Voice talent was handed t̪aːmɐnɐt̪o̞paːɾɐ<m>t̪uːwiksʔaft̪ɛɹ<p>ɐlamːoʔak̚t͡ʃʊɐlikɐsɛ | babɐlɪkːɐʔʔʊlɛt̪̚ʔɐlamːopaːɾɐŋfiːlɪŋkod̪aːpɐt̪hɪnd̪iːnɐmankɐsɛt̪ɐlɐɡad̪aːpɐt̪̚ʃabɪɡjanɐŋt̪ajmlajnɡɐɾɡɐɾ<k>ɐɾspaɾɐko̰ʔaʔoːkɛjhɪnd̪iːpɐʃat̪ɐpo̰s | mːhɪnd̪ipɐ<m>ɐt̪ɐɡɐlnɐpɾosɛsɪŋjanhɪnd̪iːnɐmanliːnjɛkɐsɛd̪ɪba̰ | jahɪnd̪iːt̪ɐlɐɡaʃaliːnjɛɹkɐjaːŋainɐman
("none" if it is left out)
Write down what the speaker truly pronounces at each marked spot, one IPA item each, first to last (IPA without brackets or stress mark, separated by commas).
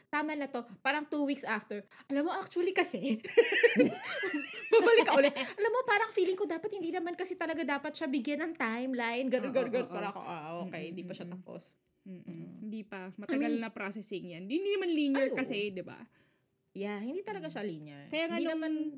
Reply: ŋ, ʔ, ɡ, m